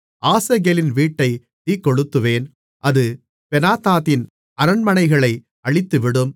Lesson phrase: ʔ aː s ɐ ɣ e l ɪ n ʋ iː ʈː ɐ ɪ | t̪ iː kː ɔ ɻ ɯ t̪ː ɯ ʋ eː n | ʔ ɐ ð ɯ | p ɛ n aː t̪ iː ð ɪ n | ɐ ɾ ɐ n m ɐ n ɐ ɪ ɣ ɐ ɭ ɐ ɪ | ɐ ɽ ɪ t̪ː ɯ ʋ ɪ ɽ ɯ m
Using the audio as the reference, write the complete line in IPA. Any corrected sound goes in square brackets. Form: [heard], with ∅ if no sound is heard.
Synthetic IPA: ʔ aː s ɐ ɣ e l ɪ n ʋ iː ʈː ɐ ɪ | t̪ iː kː ɔ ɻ ɯ t̪ː ɯ ʋ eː n | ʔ ɐ ð ɯ | p ɛ n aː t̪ [aː] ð ɪ n | ɐ ɾ ɐ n m ɐ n ɐ ɪ ɣ ɐ ɭ ɐ ɪ | ɐ [ɭ] ɪ t̪ː ɯ ʋ ɪ ɽ ɯ m

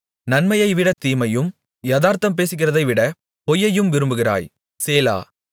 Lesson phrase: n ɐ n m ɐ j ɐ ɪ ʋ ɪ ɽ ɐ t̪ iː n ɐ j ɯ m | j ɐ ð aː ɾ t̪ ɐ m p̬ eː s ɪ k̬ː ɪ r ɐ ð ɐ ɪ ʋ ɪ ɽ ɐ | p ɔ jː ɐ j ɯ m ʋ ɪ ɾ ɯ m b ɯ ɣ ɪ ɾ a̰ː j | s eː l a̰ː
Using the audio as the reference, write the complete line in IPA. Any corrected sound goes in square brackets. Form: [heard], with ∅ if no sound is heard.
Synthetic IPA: n ɐ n m ɐ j ɐ ɪ ʋ ɪ ɽ ɐ t̪ iː [m] ɐ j ɯ m | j ɐ ð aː ɾ t̪ ɐ m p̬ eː s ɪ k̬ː ɪ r ɐ ð ɐ ɪ ʋ ɪ ɽ ɐ | p ɔ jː ɐ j ɯ m ʋ ɪ ɾ ɯ m b ɯ ɣ ɪ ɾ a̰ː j | s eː l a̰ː

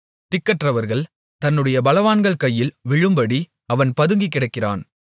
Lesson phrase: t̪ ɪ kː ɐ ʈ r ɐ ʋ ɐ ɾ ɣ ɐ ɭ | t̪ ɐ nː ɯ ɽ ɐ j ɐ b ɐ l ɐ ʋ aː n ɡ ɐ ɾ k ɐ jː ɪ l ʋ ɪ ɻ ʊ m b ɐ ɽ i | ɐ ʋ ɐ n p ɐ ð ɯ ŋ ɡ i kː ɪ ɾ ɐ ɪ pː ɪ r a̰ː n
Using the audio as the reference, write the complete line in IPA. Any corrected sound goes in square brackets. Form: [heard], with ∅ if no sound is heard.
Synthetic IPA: t̪ ɪ kː ɐ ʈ r ɐ ʋ ɐ ɾ ɣ ɐ ɭ | t̪ ɐ nː ɯ ɽ ɐ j ɐ b ɐ l ɐ ʋ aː n ɡ ɐ [ɭ] k ɐ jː ɪ l ʋ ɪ ɻ [ɯ] m b ɐ ɽ i | ɐ ʋ ɐ n p ɐ ð ɯ ŋ ɡ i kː ɪ [ɽ] ɐ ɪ [kː] ɪ r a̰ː n

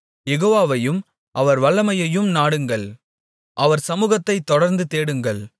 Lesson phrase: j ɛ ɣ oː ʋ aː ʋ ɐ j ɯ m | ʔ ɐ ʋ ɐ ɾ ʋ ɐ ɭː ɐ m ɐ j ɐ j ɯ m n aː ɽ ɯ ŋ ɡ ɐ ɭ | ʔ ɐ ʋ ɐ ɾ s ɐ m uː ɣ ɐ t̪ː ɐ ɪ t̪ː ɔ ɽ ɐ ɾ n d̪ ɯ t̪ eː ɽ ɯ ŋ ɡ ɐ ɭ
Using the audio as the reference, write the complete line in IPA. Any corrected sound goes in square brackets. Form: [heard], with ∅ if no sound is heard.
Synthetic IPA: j ɛ ɣ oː ʋ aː ʋ ɐ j ɯ m | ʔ ɐ ʋ ɐ ɾ ʋ ɐ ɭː ɐ m ɐ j ɐ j ɯ m n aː ɽ ɯ ŋ ɡ ɐ ɭ | ʔ ɐ ʋ ɐ ɾ s ɐ m uː ɣ ɐ t̪ː ɐ ɪ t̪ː ɔ ɽ ɐ ɾ n d̪ ɯ t̪ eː ɽ ɯ ŋ ɡ ɐ ɭ

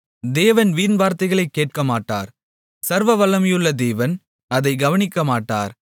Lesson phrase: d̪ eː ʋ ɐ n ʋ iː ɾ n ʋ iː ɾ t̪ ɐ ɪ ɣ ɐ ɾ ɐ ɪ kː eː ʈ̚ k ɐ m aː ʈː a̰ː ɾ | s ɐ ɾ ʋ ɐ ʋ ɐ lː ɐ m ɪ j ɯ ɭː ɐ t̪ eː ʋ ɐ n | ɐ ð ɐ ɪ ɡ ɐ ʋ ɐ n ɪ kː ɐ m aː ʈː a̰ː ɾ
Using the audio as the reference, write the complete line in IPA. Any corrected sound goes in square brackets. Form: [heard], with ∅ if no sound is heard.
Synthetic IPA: d̪ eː ʋ ɐ n ʋ iː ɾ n ʋ [aː] ɾ t̪ ɐ ɪ ɣ ɐ [ɭ] ɐ ɪ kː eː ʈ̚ k ɐ m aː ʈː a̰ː ɾ | s ɐ ɾ ʋ ɐ ʋ ɐ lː ɐ m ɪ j ɯ ɭː ɐ [d̪] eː ʋ ɐ n | ɐ ð ɐ ɪ ɡ ɐ ʋ ɐ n ɪ kː ɐ m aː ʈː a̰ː ɾ

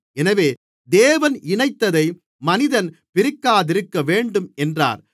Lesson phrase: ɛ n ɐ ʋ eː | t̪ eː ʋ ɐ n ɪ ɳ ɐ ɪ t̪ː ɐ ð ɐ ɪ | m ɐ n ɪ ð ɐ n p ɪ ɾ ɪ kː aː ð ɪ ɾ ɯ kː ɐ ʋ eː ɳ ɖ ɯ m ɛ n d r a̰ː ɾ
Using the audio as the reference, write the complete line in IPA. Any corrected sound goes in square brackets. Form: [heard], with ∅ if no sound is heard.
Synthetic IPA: ɛ n ɐ ʋ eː | [d̪] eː ʋ ɐ n ɪ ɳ ɐ ɪ t̪ː ɐ ð ɐ ɪ | m ɐ n ɪ ð ɐ n p ɪ ɾ ɪ kː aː ð ɪ ɾ ɯ kː ɐ ʋ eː ɳ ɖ ɯ m ɛ n d r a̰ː ɾ

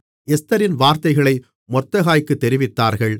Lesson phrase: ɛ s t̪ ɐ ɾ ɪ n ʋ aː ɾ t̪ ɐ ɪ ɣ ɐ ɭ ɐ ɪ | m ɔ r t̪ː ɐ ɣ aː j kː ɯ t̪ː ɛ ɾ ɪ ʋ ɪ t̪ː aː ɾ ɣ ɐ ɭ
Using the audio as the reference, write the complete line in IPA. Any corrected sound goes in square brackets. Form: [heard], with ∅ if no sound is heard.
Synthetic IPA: ɛ s t̪ ɐ ɾ ɪ n ʋ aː ɾ t̪ ɐ ɪ ɣ ɐ ɭ ɐ ɪ | m ɔ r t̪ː ɐ ɣ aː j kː ɯ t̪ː ɛ ɾ ɪ ʋ ɪ t̪ː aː ɾ ɣ ɐ ɭ

